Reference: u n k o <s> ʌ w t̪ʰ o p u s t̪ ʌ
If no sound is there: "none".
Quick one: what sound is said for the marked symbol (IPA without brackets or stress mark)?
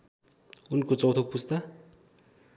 t͡s